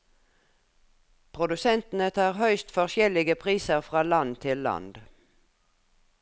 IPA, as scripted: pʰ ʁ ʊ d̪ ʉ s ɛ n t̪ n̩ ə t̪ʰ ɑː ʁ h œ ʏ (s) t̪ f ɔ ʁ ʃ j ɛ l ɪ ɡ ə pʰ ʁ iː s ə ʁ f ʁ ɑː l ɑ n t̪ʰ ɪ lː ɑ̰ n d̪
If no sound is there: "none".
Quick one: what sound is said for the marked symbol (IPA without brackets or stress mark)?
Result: s